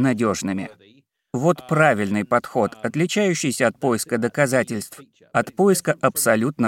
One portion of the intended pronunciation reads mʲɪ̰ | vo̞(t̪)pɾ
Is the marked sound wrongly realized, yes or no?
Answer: no